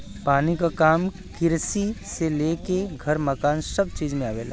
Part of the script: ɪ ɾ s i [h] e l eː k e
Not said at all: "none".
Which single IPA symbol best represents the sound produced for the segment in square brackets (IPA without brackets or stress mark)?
s